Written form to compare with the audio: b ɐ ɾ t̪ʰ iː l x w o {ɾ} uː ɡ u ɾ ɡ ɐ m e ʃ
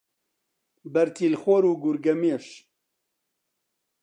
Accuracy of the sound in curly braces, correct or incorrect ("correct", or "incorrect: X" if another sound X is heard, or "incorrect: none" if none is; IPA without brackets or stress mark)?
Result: correct